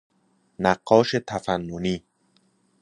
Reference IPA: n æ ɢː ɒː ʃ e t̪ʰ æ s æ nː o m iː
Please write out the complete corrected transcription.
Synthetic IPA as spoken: n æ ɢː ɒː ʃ e t̪ʰ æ f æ nː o n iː